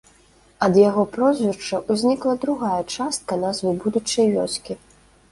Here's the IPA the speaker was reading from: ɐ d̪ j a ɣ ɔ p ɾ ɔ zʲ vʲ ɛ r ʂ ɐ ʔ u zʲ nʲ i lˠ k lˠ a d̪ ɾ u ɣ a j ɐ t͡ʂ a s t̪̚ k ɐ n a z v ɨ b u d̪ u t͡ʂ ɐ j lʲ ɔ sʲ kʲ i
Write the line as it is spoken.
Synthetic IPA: ɐ d̪ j a ɣ ɔ p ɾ ɔ zʲ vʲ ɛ r t͡ʂ ɐ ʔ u zʲ nʲ i k lˠ ɐ d̪ ɾ u ɣ a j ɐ t͡ʂ a s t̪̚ k ɐ n a z v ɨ b u d̪ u t͡ʂ ɐ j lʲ ɔ sʲ kʲ i